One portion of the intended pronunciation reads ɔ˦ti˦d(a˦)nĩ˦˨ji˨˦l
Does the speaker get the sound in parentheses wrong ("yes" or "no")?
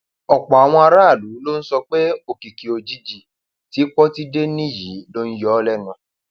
yes